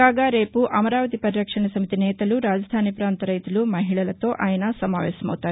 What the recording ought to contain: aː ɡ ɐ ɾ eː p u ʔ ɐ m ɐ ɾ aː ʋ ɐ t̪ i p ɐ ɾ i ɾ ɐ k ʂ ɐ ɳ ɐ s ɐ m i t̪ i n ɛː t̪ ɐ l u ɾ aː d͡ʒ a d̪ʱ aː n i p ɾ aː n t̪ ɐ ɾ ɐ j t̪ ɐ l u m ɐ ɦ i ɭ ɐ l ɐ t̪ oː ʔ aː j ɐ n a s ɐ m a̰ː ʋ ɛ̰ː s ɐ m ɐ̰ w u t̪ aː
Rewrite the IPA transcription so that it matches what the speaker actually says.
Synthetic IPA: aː ɡ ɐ ɾ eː p u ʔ ɐ m ɐ ɾ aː ʋ ɐ t̪ i p ɐ ɾ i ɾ ɐ k ʂ ɐ ɳ ɐ s ɐ m i t̪ i n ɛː t̪ ɐ l u ɾ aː d͡ʒ ɐ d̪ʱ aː n i p ɾ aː n t̪ ɐ ɾ ɐ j t̪ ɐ l u m ɐ ɦ i ɭ ɐ l ɐ t̪ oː ʔ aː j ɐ n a s ɐ m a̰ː ʋ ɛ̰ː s ɐ m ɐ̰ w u t̪ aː